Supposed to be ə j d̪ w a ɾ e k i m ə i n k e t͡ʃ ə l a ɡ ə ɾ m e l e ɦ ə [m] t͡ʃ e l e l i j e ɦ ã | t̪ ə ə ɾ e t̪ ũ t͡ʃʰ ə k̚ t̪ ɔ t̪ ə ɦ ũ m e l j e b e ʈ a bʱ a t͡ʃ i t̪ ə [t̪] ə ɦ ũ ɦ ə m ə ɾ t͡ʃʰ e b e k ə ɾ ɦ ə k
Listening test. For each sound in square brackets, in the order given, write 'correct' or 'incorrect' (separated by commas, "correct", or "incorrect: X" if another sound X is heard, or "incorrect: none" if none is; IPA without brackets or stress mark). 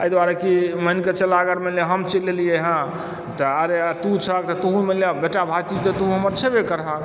correct, correct